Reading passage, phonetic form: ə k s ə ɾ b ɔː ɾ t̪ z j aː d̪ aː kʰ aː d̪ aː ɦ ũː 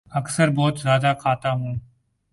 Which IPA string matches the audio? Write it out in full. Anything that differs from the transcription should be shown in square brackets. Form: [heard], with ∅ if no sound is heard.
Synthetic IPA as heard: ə k s ə ɾ b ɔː [∅] t̪ z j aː d̪ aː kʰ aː [t̪] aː ɦ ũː